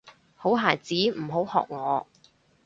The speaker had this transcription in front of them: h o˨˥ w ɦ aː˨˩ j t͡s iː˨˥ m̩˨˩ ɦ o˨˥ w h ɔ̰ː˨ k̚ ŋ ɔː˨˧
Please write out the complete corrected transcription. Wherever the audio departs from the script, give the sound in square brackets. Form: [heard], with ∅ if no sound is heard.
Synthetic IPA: h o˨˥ w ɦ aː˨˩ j t͡s iː˨˥ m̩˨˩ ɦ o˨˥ w h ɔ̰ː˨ k̚ ŋ ɔː˨˧